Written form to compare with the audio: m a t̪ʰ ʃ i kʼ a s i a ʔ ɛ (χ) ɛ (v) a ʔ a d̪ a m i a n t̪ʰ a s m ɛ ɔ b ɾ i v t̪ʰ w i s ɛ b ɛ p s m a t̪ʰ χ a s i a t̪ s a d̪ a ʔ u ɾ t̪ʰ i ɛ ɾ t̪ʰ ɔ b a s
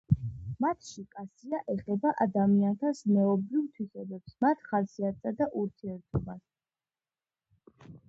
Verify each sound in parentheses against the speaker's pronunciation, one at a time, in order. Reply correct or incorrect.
correct, incorrect: b

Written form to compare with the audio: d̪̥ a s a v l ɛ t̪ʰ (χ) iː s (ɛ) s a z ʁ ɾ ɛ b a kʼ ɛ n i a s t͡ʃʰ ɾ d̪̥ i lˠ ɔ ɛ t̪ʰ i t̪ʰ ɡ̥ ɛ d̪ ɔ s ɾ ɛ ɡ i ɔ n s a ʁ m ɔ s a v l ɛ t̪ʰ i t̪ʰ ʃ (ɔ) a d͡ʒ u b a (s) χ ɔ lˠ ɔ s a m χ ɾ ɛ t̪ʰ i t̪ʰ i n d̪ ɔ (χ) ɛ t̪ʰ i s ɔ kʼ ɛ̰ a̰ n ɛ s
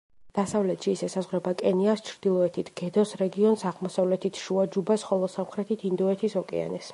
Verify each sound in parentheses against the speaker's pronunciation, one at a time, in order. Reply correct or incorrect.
incorrect: ʃ, correct, incorrect: u, correct, incorrect: none

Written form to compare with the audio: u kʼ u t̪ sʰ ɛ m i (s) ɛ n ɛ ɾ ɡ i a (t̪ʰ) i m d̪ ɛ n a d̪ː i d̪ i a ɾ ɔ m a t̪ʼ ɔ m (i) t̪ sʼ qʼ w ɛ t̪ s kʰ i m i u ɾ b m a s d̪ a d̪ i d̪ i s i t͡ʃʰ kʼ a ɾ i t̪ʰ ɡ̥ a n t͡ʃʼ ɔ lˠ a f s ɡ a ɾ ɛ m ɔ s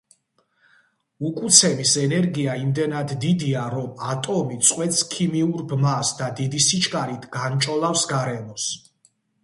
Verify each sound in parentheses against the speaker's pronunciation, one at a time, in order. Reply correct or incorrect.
correct, incorrect: none, correct

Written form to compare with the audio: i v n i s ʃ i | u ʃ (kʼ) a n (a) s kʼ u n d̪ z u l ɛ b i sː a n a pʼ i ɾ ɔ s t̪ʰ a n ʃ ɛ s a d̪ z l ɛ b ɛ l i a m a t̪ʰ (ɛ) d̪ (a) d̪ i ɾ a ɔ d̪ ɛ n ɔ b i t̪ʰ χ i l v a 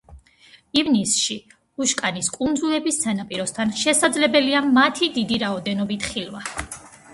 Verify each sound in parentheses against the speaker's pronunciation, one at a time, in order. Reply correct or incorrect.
correct, incorrect: i, incorrect: i, incorrect: i

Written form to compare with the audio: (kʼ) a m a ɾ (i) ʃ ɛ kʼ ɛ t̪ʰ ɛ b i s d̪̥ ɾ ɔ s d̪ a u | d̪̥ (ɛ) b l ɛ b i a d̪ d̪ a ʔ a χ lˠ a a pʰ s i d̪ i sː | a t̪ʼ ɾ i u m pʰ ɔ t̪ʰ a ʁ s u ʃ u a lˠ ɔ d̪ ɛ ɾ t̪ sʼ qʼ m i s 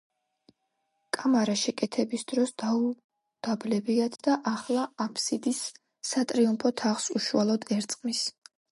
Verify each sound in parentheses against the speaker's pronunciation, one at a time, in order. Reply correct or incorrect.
correct, incorrect: a, incorrect: a

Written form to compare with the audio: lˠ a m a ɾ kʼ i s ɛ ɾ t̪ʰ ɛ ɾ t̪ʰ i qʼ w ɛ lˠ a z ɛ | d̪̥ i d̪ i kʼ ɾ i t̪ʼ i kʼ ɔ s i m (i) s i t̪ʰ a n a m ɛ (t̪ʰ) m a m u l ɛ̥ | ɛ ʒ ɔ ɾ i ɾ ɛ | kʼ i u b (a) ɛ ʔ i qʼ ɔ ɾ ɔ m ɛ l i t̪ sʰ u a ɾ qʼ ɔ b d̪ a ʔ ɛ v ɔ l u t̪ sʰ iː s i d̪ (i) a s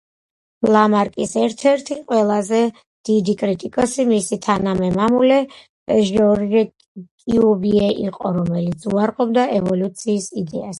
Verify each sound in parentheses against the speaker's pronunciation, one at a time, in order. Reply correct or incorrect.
correct, incorrect: none, incorrect: i, incorrect: ɛ

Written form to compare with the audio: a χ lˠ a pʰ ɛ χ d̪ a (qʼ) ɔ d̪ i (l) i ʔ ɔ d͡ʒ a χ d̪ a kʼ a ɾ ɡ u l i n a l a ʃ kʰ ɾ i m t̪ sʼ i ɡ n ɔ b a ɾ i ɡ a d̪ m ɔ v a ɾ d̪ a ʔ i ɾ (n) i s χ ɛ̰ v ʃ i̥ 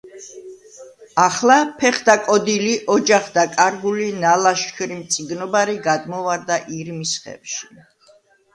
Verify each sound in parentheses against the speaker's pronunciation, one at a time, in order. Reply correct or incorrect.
incorrect: kʼ, correct, incorrect: m

